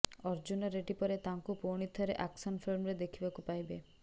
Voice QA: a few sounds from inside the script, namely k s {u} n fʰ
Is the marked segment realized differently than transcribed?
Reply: yes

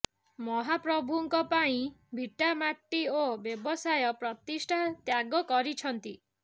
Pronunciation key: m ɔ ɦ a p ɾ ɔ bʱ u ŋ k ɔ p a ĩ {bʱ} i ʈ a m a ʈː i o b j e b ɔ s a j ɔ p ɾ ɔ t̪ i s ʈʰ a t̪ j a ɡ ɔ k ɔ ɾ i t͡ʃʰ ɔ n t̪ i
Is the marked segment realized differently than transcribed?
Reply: no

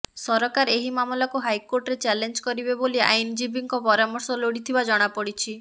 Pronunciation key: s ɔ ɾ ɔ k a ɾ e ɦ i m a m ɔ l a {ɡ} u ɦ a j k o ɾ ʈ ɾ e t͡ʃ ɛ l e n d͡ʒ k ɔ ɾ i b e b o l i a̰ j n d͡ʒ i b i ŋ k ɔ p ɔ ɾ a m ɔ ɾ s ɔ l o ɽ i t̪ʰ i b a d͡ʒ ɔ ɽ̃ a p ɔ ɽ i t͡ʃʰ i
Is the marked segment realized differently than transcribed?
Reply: yes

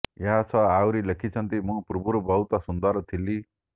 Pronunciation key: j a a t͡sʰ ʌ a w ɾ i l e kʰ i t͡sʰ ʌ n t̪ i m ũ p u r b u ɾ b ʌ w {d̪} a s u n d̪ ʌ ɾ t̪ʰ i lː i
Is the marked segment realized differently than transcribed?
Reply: yes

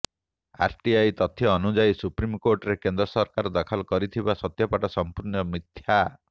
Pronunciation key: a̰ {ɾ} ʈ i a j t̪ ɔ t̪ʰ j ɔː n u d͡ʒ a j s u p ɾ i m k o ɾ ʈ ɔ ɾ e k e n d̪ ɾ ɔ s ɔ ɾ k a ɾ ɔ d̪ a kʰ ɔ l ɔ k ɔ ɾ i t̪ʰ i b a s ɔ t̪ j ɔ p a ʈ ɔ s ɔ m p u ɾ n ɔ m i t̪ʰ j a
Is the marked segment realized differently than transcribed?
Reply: no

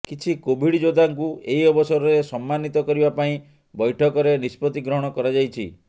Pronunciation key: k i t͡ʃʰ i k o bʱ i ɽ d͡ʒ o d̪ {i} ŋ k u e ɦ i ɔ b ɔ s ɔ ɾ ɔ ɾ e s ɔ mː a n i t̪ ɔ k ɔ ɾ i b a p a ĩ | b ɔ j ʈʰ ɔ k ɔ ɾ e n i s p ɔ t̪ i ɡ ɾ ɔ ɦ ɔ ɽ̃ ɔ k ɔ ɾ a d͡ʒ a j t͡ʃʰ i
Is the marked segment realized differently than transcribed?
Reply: yes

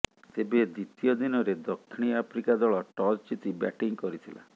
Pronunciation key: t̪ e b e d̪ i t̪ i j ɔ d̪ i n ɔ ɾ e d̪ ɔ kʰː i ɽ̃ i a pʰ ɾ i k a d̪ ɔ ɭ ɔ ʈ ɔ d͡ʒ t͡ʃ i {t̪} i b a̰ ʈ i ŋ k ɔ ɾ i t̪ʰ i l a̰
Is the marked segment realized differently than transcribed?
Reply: no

